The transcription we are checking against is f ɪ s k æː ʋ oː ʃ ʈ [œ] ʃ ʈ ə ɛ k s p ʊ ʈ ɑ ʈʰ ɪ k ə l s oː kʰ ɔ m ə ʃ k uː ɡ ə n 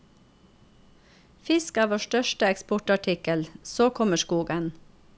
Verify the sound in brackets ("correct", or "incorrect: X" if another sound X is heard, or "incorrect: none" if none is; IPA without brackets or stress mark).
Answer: correct